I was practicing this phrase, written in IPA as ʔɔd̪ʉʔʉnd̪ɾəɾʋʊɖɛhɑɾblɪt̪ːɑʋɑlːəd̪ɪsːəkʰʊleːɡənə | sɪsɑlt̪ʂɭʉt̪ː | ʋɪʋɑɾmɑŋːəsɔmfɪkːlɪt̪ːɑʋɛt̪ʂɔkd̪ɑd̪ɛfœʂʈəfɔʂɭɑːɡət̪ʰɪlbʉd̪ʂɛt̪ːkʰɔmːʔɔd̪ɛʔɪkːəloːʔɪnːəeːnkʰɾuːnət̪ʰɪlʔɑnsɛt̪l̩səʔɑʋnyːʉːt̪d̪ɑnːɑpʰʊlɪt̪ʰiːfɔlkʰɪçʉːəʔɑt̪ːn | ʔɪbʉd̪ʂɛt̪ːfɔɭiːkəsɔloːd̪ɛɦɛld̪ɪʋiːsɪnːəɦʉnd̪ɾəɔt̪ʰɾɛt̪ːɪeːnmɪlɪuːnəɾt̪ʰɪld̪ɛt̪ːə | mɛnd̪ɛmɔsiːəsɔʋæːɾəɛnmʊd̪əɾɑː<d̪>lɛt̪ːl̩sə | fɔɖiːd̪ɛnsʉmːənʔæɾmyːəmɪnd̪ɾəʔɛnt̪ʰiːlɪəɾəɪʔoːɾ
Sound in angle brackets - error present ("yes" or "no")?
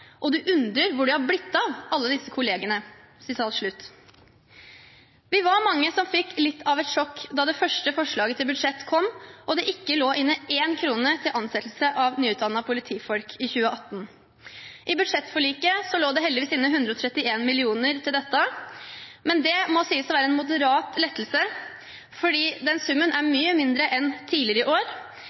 yes